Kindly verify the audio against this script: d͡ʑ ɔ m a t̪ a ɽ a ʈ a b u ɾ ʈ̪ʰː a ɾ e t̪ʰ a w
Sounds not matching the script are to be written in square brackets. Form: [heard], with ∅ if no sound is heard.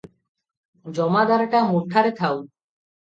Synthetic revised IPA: d͡ʑ ɔ m a [d̪] a [ɾ] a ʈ a [m] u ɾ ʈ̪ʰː a ɾ e t̪ʰ a w